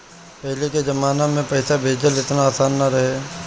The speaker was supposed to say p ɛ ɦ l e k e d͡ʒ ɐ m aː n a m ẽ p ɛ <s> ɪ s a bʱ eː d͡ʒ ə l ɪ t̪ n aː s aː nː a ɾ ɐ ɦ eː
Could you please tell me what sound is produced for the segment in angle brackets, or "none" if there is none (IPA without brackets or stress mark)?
none